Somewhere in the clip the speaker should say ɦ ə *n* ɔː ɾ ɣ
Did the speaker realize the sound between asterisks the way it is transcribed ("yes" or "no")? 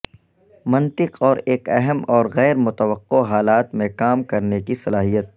no